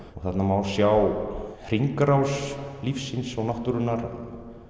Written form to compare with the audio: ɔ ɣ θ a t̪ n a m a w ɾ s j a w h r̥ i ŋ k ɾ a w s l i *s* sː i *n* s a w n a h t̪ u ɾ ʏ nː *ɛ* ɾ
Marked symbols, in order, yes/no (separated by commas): no, yes, no